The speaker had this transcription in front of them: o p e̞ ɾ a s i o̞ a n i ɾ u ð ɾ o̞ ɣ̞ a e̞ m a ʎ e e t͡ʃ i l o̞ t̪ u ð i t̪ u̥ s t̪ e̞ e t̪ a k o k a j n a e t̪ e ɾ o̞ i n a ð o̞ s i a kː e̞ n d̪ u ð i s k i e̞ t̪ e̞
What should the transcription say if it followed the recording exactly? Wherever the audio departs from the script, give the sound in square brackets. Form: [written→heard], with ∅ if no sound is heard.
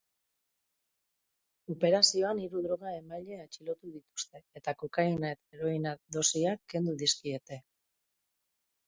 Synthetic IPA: o p e̞ ɾ a s i o̞ a n i ɾ u ð ɾ o̞ ɣ̞ a e̞ m a ʎ e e t͡ʃ i l o̞ t̪ u ð i t̪ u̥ s t̪ e̞ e t̪ a k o k a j n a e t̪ e ɾ o̞ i n a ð o̞ s i a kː e̞ n d̪ u ð i s k i e̞ t̪ e̞